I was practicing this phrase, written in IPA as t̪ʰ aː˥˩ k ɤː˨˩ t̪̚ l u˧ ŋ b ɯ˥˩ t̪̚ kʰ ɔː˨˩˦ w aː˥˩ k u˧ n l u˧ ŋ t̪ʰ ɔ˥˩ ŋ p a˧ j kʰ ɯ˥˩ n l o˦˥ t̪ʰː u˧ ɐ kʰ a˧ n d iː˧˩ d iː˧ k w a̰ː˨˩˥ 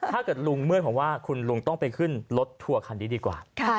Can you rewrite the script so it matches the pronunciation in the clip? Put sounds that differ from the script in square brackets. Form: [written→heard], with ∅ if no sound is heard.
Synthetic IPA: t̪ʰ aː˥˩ k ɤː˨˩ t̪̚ l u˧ ŋ [b→m] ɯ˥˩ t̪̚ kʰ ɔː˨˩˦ w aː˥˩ [k→kʰ] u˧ n l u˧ ŋ [t̪ʰ→t̪] ɔ˥˩ ŋ p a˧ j kʰ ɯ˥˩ n l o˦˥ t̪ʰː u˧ ɐ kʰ a˧ n d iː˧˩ d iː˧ k w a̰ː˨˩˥